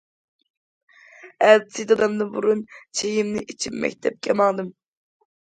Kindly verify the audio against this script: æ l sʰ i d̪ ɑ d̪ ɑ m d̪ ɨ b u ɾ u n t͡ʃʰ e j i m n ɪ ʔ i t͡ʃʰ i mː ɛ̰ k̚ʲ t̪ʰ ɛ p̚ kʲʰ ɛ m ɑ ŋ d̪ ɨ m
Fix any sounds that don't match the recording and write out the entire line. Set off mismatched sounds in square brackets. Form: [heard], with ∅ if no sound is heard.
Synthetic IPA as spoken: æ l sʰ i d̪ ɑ d̪ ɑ m d̪ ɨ b u ɾ u n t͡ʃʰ e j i m n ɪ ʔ i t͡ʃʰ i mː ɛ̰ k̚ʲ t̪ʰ ɛ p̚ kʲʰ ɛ m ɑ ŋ d̪ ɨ m